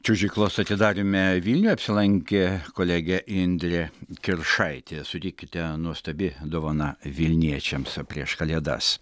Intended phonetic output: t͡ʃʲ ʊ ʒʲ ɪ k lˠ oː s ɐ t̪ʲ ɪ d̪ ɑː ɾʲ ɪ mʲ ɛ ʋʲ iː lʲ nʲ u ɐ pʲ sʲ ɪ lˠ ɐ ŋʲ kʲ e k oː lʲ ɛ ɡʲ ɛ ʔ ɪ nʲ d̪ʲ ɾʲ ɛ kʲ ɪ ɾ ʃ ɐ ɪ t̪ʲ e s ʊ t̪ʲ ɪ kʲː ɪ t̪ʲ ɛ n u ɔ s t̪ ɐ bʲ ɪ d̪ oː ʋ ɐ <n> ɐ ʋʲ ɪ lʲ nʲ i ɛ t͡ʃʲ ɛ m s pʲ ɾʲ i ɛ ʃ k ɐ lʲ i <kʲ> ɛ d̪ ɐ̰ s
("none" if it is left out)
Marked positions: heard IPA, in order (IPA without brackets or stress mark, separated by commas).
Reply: n, none